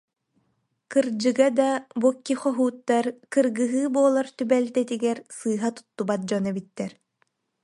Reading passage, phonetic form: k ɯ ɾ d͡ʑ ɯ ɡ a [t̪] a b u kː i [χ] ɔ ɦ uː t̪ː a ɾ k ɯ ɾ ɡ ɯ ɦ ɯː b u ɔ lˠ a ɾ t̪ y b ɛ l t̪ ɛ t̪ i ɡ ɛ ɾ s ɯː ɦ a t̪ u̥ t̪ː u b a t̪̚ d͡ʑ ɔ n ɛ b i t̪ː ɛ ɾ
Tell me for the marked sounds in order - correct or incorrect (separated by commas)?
incorrect, correct